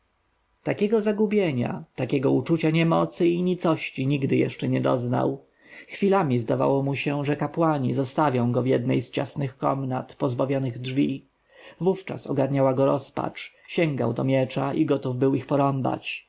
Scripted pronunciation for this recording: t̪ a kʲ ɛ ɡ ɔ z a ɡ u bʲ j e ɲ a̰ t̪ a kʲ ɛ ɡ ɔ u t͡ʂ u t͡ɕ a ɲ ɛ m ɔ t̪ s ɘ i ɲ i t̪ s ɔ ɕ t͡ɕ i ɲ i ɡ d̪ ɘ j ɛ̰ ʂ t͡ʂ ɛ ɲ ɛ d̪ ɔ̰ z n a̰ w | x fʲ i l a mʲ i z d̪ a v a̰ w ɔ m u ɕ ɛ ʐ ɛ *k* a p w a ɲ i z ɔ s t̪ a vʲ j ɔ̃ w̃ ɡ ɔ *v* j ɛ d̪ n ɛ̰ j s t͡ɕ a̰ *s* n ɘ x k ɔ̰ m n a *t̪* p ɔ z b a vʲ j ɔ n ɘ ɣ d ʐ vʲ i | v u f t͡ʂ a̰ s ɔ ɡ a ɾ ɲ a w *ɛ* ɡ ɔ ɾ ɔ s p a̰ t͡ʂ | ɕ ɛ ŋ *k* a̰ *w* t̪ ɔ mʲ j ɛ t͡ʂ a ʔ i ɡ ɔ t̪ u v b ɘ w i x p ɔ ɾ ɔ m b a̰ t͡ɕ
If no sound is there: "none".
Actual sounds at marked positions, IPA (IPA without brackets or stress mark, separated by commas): k, v, s, t̪, a, ɡ, w